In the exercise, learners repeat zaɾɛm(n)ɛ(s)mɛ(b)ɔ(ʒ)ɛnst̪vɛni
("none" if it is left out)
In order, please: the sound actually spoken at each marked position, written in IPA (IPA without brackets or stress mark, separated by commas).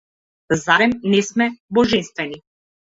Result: n, s, b, ʒ